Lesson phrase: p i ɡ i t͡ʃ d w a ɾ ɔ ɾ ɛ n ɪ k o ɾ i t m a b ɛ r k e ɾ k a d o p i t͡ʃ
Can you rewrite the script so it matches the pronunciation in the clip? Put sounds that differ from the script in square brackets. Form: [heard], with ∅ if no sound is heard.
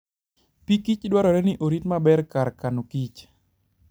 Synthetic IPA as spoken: p i [k] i t͡ʃ d w a ɾ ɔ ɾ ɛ n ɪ [ʔ] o ɾ i t m a b ɛ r k [a] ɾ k a [n] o [k] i t͡ʃ